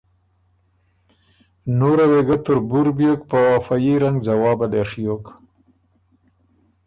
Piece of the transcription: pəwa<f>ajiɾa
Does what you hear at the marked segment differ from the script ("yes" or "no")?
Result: no